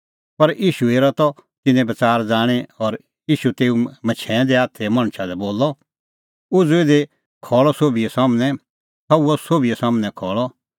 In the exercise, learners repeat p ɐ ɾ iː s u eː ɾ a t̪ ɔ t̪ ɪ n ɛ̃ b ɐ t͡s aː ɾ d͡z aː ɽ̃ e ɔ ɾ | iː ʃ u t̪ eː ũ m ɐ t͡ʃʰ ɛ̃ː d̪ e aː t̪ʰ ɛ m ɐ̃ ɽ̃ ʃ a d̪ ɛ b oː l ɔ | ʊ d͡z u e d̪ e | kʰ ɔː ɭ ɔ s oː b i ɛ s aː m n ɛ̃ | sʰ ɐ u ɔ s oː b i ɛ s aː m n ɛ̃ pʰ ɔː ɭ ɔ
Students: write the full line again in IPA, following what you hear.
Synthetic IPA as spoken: p ɐ ɾ iː ʃ u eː ɾ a t̪ ɔ t̪ ɪ n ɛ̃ b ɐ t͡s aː ɾ d͡z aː ɽ̃ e ɔ ɾ | iː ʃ u t̪ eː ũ m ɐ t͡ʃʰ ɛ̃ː d̪ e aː t̪ʰ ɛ m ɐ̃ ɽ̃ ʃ a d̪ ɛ b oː l ɔ | ʊ d͡z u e d̪ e | kʰ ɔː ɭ ɔ s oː b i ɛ s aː m n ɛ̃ | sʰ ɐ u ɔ s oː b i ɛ s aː m n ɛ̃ kʰ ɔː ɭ ɔ